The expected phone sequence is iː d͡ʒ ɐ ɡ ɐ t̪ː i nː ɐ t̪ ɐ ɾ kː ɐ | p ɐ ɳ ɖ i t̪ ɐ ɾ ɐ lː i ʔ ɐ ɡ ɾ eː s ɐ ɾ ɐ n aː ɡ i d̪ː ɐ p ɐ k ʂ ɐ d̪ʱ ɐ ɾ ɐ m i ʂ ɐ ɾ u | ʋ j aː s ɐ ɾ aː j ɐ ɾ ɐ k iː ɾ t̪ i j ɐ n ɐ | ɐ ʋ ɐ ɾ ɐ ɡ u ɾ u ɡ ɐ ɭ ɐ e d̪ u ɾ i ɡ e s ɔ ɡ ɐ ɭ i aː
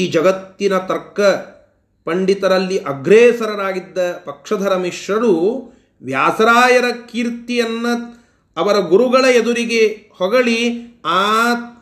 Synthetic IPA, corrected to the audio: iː d͡ʒ ɐ ɡ ɐ t̪ː i n ɐ t̪ ɐ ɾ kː ɐ | p ɐ ɳ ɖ i t̪ ɐ ɾ ɐ lː i ʔ ɐ ɡ ɾ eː s ɐ ɾ ɐ n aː ɡ i d̪ː ɐ p ɐ k ʂ ɐ d̪ʱ ɐ ɾ ɐ m i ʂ ɐ ɾ u | ʋ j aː s ɐ ɾ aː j ɐ ɾ ɐ k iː ɾ t̪ i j ɐ nː ɐ | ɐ ʋ ɐ ɾ ɐ ɡ u ɾ u ɡ ɐ ɭ ɐ e d̪ u ɾ i ɡ e h ɔ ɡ ɐ ɭ i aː